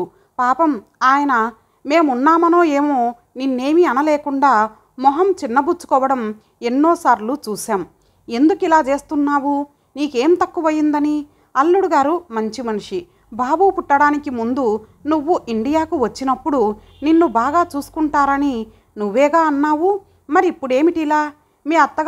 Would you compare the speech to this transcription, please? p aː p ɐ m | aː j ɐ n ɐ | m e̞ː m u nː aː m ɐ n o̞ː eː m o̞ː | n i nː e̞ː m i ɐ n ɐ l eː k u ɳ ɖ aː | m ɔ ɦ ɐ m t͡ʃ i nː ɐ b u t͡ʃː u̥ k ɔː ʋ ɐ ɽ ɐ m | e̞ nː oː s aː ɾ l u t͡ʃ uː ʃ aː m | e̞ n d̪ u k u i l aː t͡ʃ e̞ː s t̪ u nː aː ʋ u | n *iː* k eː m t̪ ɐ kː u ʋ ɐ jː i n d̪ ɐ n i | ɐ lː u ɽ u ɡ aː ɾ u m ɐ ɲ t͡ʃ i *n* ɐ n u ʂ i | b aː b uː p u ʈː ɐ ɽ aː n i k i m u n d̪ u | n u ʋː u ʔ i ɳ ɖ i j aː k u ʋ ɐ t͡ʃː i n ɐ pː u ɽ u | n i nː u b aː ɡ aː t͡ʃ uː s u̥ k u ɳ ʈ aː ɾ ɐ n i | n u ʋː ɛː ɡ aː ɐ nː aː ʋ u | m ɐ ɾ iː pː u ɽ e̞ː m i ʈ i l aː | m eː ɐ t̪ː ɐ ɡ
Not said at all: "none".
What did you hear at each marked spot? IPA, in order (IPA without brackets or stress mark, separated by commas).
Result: iː, m